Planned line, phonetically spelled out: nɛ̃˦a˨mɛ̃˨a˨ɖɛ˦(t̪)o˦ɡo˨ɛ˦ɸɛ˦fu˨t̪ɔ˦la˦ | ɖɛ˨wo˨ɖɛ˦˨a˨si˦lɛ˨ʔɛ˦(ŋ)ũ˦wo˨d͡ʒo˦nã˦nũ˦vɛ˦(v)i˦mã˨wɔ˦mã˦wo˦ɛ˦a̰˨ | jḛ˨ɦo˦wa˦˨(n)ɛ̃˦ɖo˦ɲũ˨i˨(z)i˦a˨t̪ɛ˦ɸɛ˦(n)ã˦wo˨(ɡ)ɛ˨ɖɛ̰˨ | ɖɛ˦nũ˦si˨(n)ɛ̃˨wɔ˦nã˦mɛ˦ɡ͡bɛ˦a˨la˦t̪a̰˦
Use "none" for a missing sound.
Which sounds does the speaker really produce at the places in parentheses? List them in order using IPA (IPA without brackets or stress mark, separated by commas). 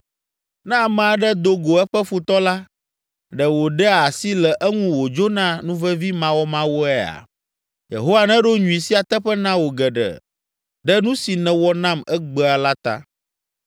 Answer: d̪, ŋ, v, n, s, n, ɡ, n